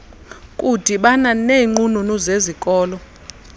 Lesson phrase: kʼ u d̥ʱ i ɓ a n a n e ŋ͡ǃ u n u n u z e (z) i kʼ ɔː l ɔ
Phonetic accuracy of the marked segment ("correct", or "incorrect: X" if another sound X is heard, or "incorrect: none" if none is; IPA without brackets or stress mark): correct